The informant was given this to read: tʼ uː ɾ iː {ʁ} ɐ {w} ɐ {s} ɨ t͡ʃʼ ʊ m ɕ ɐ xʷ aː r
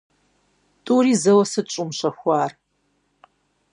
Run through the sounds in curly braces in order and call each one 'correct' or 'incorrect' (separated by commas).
incorrect, correct, correct